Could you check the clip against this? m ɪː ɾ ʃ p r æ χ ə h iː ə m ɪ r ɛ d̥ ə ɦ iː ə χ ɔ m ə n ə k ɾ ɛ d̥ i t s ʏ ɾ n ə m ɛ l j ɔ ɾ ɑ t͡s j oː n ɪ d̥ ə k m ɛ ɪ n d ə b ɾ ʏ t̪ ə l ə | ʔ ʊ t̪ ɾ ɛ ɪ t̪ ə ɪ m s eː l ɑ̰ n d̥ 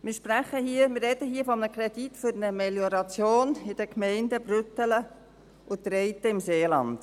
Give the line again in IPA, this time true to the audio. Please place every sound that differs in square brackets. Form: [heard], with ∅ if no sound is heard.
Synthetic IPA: m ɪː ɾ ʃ p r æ χ ə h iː ə m ɪ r ɛ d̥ ə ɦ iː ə [f] ɔ m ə n ə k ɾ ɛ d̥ i t [f] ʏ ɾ n ə m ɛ l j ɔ ɾ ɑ t͡s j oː n ɪ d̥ ə k m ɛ ɪ n d ə b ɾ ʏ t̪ ə l ə | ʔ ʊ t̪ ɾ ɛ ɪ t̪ ə ɪ m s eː l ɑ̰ n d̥